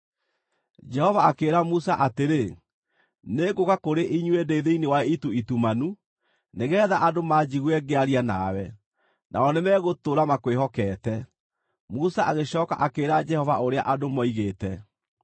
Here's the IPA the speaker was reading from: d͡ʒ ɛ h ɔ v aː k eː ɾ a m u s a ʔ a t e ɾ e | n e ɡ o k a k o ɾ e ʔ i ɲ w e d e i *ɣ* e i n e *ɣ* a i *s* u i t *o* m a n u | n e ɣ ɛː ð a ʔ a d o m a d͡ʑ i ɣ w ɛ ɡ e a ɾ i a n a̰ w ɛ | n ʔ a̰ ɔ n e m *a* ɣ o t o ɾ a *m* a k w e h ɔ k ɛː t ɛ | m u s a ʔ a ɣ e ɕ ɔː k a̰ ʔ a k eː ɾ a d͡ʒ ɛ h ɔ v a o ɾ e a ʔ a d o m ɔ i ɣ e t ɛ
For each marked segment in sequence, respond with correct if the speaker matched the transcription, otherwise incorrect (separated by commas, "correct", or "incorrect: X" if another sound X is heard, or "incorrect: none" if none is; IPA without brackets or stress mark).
incorrect: ð, incorrect: w, incorrect: t, incorrect: u, incorrect: ɛ, correct